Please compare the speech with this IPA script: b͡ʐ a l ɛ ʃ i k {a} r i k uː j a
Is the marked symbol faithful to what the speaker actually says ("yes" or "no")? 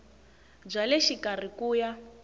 yes